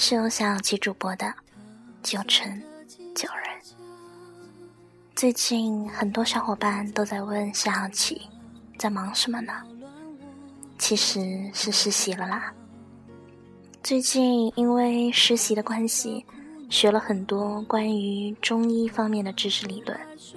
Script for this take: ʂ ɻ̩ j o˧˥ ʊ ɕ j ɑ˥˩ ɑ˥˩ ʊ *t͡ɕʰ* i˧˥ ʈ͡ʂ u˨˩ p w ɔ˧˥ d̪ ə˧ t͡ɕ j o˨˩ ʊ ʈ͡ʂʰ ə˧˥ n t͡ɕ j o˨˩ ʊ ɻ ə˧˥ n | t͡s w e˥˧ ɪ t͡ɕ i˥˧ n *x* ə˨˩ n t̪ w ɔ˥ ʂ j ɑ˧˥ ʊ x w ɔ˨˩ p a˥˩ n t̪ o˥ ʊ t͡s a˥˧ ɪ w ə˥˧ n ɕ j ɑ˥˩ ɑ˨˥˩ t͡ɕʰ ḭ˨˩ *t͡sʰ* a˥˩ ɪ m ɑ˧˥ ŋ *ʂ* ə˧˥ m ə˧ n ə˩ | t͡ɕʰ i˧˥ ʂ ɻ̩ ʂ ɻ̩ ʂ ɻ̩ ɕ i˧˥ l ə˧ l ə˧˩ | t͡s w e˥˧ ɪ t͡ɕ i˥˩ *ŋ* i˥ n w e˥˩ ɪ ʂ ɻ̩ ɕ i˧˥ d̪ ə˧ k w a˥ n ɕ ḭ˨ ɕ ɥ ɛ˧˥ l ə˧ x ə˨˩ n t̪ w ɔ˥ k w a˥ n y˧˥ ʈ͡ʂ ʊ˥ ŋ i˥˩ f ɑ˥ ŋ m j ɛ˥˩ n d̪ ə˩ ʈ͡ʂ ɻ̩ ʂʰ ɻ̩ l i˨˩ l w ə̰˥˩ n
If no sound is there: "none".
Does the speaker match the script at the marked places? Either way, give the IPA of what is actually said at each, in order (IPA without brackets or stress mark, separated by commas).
t͡ɕʰ, x, t͡s, ʂ, n